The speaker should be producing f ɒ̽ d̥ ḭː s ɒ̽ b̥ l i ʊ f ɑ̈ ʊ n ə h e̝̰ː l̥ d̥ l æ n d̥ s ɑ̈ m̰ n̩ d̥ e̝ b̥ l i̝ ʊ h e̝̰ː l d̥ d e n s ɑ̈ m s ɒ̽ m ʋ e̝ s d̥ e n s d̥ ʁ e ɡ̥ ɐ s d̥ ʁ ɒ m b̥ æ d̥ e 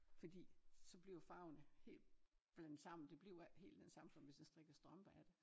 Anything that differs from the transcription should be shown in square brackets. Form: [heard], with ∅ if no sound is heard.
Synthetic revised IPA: f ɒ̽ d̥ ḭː s ɒ̽ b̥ l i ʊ f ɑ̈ ʊ n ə h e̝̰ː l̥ [b̥] l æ n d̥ s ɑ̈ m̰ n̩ d̥ e̝ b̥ l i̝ ʊ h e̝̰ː l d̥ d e n s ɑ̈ m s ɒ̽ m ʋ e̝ s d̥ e n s d̥ ʁ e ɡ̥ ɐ s d̥ ʁ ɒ m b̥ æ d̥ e